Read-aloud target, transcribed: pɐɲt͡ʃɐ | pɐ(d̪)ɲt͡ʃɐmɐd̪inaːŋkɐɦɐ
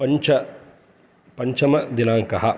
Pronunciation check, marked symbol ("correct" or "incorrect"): incorrect